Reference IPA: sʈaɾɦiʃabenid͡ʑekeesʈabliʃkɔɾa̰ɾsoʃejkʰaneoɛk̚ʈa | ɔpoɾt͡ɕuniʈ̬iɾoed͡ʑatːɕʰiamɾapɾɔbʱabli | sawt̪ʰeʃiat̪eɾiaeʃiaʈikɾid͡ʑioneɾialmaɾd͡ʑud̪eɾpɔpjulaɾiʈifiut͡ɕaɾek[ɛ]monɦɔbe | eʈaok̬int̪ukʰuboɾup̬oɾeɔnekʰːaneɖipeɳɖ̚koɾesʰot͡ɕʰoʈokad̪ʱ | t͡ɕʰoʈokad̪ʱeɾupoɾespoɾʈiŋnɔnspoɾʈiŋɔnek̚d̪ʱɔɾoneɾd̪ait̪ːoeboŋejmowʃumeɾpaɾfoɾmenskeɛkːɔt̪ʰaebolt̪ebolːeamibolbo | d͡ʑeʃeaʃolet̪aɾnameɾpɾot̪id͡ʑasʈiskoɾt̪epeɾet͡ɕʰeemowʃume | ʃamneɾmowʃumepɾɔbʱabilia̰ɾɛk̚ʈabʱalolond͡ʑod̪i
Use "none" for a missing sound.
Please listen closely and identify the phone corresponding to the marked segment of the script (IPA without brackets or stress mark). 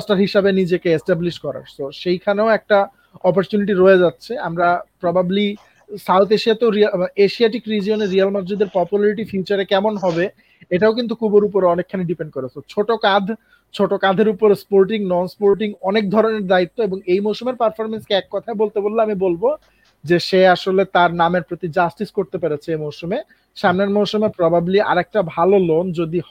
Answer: ɛ